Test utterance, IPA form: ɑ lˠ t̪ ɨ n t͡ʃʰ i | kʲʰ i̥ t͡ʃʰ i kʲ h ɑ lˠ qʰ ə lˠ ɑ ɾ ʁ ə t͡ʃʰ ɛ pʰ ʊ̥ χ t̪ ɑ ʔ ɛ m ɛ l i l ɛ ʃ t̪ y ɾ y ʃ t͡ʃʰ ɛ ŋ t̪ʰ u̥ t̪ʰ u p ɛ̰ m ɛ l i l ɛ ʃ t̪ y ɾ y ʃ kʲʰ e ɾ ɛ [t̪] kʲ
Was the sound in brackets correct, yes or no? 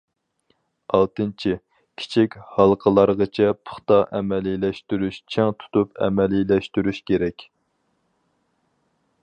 no